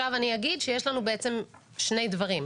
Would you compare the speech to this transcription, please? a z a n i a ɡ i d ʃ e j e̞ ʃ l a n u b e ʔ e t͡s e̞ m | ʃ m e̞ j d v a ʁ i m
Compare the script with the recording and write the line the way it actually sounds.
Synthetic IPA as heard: a v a n i a ɡ i d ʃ e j e̞ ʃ l a n u b e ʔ e t͡s e̞ m | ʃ n e̞ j d v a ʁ i m